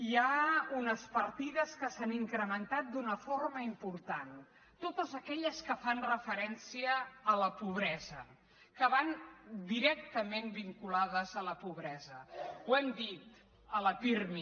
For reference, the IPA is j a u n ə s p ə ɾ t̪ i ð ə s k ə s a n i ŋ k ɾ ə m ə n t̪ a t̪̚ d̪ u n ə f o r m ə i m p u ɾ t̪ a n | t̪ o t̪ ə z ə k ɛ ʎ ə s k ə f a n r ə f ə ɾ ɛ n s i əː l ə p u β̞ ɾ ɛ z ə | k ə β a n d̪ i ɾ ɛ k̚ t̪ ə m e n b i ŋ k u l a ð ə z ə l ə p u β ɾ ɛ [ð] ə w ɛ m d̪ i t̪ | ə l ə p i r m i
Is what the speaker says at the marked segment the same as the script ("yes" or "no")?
no